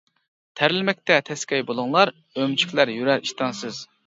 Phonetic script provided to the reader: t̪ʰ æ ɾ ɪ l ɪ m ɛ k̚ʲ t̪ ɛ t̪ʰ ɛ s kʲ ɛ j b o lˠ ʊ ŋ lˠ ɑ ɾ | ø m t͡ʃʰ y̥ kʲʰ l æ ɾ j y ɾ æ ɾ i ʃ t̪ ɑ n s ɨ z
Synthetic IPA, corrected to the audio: t̪ʰ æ ɾ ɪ l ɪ m ɛ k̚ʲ t̪ ɛ t̪ʰ ɛ s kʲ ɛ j b o lˠ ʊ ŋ lˠ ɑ ɾ | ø m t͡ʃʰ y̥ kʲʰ l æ ɾ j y ɾ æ ɾ i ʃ t̪ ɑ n s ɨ z